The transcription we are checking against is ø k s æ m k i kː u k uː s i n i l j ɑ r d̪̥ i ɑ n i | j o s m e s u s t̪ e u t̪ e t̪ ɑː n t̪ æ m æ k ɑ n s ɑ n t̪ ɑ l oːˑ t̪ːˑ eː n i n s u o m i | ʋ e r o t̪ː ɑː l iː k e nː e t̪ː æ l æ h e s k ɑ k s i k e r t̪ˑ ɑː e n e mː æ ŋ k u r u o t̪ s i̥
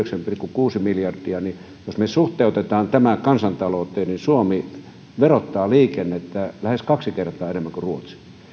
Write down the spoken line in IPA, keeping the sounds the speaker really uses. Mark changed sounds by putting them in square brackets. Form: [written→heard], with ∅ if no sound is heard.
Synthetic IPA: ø k s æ m [k→p] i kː u k uː s i [n→m] i l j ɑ r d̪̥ i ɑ n i | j o s m e s u [s→h] t̪ e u t̪ e t̪ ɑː n t̪ æ m æ k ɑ n s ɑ n t̪ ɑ l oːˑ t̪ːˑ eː n i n s u o m i | ʋ e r o t̪ː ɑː l iː k e nː e t̪ː æ l æ h e s k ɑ k s i k e r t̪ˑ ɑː e n e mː æ ŋ k u r u o t̪ s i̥